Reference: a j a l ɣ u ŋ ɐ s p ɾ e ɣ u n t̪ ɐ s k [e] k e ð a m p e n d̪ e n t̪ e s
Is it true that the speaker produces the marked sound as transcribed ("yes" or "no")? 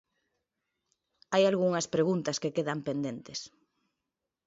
yes